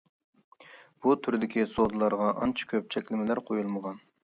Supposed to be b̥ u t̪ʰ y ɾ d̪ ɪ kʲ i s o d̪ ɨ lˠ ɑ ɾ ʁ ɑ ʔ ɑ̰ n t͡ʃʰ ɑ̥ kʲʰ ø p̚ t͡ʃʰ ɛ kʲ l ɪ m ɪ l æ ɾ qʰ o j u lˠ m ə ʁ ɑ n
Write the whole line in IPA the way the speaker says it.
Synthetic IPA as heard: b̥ u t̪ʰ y ɾ d̪ ɪ kʲ i s o d̪ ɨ lˠ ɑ ɾ ʁ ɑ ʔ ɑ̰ n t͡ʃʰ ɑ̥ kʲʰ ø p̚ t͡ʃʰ ɛ kʲ l ɪ m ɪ l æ ɾ qʰ o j u lˠ m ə ʁ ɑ n

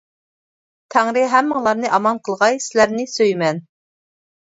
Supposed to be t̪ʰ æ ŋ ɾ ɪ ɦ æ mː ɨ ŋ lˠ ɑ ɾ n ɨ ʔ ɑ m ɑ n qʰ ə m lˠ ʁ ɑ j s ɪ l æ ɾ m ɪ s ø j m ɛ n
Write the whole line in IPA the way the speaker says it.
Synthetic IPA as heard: t̪ʰ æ ŋ ɾ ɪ ɦ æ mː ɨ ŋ lˠ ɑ ɾ n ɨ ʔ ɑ m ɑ n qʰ ə lˠ ʁ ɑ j s ɪ l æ ɾ n ɪ s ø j m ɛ n

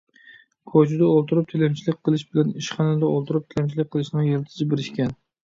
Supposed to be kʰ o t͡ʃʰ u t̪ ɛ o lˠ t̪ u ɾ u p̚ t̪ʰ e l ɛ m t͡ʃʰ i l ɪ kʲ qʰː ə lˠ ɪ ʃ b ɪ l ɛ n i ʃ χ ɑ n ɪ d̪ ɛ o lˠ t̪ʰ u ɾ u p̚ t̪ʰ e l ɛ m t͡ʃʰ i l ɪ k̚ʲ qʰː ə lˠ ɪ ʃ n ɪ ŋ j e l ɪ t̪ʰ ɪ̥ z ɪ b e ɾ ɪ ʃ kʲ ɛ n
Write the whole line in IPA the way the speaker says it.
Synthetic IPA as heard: kʰ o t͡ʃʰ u d̪ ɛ o lˠ t̪ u ɾ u p̚ t̪ʰ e l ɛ m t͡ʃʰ i l ɪ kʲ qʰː ə lˠ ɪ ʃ b ɪ l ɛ n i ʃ χ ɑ n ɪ d̪ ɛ o lˠ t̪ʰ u ɾ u p̚ t̪ʰ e l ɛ m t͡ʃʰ i l ɪ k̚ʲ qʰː ə lˠ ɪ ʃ n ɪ ŋ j e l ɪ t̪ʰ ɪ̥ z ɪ b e ɾ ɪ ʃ kʲ ɛ n

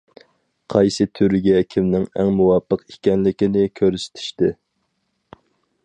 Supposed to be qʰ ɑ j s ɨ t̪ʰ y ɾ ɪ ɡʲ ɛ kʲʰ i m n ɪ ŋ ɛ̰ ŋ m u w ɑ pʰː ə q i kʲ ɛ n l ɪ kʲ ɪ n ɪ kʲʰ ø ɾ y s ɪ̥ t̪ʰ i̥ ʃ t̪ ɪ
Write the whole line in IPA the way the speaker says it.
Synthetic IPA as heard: qʰ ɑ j s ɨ t̪ʰ y ɾ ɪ ɡʲ ɛ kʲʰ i m n ɪ ŋ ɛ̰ ŋ m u w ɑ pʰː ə q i kʲ ɛ n l ɪ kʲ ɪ n ɪ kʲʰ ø ɾ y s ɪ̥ t̪ʰ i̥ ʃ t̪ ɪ

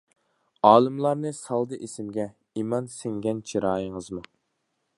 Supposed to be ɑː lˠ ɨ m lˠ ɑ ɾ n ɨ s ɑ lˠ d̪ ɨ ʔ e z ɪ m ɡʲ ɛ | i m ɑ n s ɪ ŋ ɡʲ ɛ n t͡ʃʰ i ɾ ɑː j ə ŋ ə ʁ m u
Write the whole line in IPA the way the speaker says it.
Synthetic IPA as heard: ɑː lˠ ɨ m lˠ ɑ ɾ n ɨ s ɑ lˠ d̪ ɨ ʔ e s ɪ m ɡʲ ɛ | i m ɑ n s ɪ ŋ ɡʲ ɛ n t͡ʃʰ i ɾ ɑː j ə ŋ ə z m u

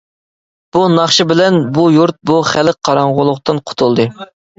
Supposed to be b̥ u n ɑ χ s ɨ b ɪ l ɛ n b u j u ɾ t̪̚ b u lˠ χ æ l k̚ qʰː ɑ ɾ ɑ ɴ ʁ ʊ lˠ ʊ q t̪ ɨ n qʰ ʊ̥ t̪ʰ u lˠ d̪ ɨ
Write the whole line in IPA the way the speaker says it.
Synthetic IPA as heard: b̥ u n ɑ χ ʃ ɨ b ɪ l ɛ n b u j u ɾ t̪̚ b u χ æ l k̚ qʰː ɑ ɾ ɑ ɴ ʁ ʊ lˠ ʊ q t̪ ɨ n qʰ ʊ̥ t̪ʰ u lˠ d̪ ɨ

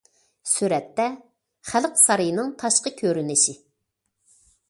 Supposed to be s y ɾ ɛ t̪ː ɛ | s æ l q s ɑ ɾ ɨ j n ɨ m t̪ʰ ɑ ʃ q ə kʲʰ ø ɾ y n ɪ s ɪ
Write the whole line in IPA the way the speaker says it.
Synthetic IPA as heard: s y ɾ ɛ t̪ː ɛ | χ æ l q s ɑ ɾ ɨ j n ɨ ŋ t̪ʰ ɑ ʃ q ə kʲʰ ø ɾ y n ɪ ʃ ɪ

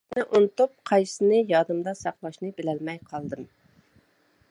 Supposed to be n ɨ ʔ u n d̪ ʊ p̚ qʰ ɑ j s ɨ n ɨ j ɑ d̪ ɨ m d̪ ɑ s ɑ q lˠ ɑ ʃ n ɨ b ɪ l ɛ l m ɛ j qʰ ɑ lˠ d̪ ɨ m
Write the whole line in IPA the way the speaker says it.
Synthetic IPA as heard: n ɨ ʔ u n t̪ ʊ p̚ qʰ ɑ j s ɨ n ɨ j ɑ d̪ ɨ m d̪ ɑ s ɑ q lˠ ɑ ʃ n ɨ b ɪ l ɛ l m ɛ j qʰ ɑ lˠ d̪ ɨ m

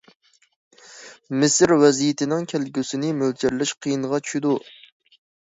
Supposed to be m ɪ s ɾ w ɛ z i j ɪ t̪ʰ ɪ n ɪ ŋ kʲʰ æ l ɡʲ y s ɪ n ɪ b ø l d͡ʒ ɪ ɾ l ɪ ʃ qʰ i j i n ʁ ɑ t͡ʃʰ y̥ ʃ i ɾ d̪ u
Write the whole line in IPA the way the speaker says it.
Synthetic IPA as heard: m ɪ s ɾ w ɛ z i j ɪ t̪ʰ ɪ n ɪ ŋ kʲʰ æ l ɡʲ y s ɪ n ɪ m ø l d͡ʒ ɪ ɾ l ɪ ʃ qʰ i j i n ʁ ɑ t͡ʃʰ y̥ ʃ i d̪ u

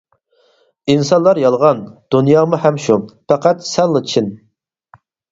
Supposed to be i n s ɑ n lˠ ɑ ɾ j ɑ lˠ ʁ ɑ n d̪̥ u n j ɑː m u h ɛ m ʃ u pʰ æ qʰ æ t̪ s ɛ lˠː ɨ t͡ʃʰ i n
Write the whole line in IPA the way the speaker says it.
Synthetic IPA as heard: i n s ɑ n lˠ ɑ ɾ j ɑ lˠ ʁ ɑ n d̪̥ u n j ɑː m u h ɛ m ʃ u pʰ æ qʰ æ t̪ s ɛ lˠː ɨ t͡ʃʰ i n

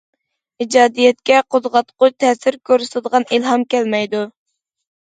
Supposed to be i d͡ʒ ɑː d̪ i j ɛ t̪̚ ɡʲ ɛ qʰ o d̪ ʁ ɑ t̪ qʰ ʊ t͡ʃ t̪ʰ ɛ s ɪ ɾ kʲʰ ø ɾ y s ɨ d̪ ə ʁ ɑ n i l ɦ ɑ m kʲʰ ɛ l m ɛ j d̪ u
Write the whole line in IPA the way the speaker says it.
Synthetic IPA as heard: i d͡ʒ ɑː d̪ i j ɛ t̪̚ kʲ ɛ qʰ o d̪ ʁ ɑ t̪ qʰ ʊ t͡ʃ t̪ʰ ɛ s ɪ ɾ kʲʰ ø ɾ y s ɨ d̪ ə ʁ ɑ n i l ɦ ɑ m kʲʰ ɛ l m ɛ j d̪ u

